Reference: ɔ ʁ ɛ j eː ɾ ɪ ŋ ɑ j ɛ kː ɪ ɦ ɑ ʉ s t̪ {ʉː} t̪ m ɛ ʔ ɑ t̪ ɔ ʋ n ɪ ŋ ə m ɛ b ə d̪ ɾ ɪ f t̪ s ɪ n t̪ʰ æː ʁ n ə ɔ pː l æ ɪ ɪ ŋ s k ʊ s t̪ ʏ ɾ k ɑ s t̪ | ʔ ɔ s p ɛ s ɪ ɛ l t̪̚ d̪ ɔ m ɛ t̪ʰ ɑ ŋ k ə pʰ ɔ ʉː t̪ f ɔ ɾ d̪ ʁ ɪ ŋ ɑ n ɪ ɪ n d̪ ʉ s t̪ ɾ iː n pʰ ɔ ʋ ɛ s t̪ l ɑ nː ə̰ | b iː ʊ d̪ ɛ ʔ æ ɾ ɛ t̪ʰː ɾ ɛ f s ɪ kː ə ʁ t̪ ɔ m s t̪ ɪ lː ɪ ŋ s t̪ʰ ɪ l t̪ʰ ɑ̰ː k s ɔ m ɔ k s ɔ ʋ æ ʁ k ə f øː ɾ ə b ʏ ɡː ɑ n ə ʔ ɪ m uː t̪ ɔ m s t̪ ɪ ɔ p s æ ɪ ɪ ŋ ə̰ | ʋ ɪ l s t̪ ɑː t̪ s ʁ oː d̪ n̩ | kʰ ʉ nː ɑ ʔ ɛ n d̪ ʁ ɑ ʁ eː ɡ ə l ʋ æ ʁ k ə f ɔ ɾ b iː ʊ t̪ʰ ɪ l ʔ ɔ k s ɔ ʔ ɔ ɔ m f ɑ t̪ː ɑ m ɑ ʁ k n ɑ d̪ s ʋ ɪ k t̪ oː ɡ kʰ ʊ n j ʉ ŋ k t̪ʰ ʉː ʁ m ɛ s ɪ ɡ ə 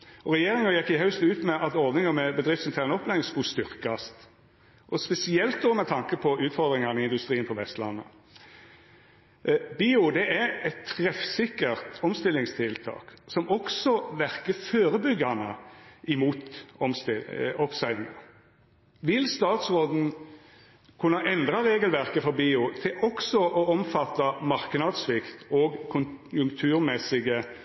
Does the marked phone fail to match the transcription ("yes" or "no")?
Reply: no